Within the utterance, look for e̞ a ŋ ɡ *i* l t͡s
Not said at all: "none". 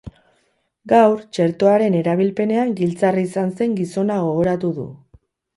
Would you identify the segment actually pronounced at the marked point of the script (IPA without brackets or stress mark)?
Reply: i